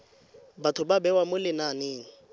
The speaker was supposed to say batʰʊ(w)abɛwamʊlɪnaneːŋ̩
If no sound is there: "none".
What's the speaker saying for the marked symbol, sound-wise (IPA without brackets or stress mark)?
b